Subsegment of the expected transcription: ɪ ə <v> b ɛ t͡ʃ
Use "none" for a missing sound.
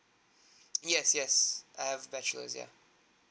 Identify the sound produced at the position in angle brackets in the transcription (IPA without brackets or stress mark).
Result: v